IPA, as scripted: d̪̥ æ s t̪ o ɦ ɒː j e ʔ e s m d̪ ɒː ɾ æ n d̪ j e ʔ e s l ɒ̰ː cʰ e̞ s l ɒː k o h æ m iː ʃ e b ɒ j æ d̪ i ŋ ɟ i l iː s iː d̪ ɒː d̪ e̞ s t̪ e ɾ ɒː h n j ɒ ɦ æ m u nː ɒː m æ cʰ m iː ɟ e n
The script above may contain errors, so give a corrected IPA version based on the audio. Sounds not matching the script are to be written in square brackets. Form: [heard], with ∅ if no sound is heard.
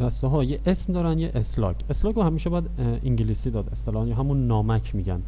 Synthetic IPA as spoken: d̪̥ æ s t̪ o ɦ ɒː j e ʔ e s m d̪ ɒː ɾ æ n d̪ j e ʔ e s l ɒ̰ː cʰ e̞ s l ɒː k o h æ m iː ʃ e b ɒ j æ d̪ i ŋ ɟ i l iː s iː d̪ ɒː d̪ e̞ s t̪ e [l] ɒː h n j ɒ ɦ æ m u nː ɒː m æ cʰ m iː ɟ [æ] n